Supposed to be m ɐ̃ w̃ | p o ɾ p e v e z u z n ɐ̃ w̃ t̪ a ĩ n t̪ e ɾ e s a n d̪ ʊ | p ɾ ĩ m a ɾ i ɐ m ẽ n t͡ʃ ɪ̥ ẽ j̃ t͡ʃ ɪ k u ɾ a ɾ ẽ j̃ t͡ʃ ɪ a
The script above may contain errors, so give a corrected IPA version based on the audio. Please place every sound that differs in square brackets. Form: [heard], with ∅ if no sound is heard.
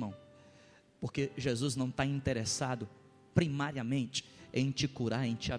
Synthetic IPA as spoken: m ɐ̃ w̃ | p o ɾ [k] e [ʒ] e z u z n ɐ̃ w̃ t̪ a ĩ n t̪ e ɾ e s a [∅] d̪ ʊ | p ɾ [i] m a ɾ i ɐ m ẽ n t͡ʃ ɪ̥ ẽ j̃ t͡ʃ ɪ k u ɾ a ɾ ẽ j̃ t͡ʃ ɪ a